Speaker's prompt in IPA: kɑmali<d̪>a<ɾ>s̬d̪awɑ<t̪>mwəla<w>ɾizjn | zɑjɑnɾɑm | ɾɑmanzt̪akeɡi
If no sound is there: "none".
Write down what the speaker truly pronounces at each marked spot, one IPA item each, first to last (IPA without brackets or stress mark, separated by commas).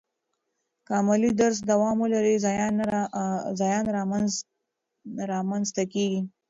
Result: d̪, ɾ, none, none